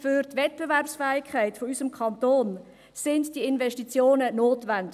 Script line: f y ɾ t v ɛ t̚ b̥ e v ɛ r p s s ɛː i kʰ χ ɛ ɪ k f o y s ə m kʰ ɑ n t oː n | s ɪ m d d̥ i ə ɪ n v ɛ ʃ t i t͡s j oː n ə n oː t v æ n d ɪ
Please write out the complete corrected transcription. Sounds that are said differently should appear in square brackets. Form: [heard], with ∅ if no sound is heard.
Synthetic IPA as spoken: f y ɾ t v ɛ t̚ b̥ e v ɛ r p s [f] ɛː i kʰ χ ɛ ɪ [t] f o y s ə m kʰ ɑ n t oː n | s ɪ [n] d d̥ i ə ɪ n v ɛ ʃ t i t͡s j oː n ə n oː t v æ n d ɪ